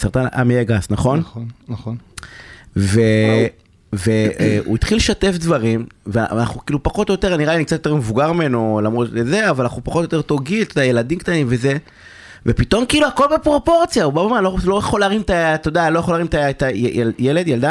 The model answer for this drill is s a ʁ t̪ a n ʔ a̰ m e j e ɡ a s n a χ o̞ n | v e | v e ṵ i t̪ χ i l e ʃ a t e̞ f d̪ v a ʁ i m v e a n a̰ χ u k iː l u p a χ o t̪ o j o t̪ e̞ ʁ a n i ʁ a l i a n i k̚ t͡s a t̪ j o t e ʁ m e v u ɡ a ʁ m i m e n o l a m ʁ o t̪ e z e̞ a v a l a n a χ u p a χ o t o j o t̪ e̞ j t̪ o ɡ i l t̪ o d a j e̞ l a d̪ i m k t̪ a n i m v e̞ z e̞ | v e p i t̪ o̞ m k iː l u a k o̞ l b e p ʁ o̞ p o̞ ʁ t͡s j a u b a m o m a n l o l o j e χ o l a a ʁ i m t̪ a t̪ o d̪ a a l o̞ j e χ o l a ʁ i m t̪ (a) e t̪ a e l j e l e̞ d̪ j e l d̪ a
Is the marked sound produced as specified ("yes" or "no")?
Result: yes